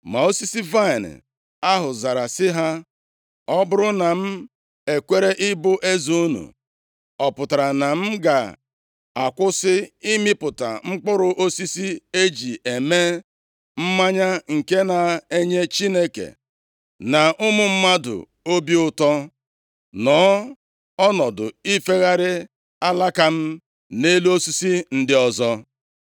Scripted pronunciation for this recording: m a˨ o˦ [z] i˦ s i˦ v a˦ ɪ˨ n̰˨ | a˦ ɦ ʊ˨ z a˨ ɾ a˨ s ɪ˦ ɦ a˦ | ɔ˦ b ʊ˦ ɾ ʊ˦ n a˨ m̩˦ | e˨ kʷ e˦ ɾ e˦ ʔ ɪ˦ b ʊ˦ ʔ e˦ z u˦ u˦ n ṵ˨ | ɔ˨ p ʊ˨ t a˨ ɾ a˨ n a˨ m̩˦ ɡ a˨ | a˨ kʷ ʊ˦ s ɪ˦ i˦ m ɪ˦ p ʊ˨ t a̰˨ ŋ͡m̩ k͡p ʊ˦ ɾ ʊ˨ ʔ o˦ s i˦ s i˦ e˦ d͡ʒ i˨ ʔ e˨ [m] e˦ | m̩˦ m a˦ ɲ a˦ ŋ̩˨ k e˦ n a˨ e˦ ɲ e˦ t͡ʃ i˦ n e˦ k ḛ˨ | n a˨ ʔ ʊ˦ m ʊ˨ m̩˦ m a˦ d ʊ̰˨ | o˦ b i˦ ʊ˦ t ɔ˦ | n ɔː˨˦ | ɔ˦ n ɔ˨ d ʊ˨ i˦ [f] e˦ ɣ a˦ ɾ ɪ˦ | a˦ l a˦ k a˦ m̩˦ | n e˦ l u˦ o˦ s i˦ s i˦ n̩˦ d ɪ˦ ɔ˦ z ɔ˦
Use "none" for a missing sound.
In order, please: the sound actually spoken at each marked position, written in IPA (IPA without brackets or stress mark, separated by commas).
s, m, f